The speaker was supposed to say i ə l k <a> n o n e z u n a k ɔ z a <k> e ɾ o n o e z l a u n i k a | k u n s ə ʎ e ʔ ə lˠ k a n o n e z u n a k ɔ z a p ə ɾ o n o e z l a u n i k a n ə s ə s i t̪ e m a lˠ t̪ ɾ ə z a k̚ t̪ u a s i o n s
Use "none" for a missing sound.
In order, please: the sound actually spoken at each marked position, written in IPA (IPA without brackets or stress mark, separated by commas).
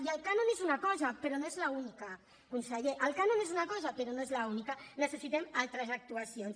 a, p